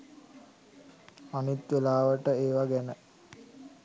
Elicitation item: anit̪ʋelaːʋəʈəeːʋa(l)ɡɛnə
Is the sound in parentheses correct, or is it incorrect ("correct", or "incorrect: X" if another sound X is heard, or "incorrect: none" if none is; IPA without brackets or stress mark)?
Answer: incorrect: none